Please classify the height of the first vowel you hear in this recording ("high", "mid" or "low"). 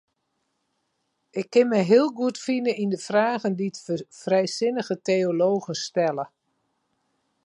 high